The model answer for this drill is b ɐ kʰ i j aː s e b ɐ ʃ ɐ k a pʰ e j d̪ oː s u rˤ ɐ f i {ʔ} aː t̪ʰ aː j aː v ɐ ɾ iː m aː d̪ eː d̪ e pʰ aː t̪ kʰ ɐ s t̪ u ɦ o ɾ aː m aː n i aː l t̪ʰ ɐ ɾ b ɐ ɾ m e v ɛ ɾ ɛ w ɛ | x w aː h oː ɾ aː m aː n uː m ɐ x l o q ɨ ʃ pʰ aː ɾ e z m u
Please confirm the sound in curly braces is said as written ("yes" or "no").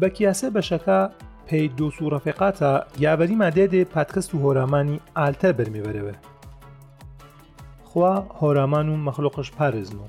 no